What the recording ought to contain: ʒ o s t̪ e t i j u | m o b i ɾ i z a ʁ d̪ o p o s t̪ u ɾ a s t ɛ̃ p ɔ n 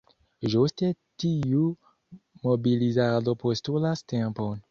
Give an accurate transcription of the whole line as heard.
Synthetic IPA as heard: ʒ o s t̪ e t i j u | m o b i l i z a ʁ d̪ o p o s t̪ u l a s t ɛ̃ p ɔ n